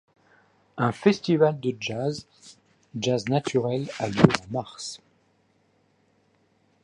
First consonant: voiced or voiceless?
voiceless